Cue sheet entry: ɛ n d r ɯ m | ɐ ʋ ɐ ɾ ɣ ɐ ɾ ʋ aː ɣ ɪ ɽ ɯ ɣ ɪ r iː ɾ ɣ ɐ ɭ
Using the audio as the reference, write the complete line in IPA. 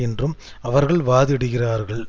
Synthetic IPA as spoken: ɛ n d r ɯ m | ɐ ʋ ɐ ɾ ɣ ɐ ɭ ʋ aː ð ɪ ɽ ɯ ɣ ɪ r aː ɾ ɣ ɐ ɭ